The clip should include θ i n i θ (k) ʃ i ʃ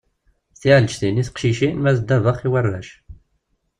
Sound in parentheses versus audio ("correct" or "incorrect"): incorrect